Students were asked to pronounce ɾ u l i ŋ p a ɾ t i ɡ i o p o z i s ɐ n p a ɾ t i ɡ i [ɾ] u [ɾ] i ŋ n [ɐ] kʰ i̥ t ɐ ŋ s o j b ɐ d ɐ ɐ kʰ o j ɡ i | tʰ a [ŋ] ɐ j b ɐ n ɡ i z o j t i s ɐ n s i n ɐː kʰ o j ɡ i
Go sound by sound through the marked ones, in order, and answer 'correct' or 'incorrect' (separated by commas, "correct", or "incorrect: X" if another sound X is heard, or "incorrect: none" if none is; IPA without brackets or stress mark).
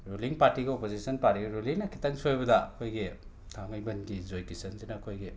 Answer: correct, incorrect: l, correct, correct